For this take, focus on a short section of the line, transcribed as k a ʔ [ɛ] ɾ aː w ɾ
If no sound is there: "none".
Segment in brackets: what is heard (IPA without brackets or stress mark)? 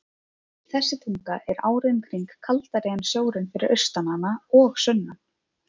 ɛ